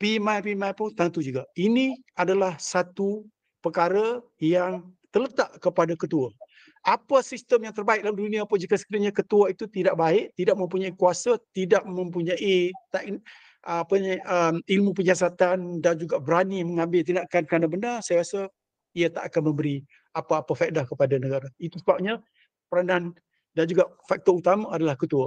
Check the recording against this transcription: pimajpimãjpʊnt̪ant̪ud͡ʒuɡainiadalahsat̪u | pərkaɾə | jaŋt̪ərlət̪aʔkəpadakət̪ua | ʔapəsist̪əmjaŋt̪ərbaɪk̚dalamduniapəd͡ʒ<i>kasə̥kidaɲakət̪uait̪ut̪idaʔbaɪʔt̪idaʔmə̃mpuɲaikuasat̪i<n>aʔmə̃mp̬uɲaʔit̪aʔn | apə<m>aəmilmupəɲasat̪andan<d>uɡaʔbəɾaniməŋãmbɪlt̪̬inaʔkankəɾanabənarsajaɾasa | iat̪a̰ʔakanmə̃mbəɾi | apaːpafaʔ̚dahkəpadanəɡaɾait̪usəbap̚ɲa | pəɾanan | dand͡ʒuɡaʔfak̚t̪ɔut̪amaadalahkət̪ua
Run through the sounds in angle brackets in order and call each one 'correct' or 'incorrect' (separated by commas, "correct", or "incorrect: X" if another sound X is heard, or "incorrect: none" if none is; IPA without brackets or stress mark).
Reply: correct, incorrect: d, incorrect: ɲ, incorrect: d͡ʒ